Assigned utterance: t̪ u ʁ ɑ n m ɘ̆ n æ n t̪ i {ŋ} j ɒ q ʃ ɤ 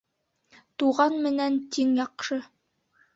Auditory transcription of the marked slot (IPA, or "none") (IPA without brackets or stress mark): ŋ